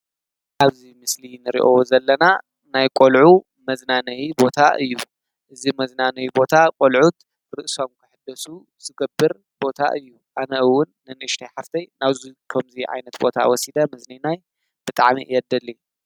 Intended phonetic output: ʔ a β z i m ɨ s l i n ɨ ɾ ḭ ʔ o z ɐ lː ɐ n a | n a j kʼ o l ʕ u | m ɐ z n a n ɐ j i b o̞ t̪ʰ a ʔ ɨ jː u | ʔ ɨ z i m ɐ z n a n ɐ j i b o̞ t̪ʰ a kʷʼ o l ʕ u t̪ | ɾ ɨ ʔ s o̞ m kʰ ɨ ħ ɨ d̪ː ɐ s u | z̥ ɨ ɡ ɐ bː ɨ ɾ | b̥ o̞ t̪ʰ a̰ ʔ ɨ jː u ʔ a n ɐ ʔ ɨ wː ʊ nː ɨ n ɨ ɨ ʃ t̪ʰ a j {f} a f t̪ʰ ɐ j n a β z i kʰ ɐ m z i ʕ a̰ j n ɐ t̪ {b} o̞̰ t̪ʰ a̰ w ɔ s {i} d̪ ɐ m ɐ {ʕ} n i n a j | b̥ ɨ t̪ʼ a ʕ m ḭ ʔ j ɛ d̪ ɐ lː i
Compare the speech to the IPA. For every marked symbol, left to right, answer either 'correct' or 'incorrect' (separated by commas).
incorrect, correct, correct, incorrect